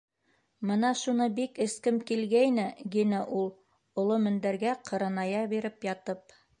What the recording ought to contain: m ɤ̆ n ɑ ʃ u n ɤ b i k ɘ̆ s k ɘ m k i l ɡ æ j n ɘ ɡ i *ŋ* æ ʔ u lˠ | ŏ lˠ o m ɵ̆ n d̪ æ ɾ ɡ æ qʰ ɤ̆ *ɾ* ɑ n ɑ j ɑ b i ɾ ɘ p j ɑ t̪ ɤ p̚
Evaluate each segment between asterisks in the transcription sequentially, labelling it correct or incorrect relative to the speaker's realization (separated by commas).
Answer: incorrect, correct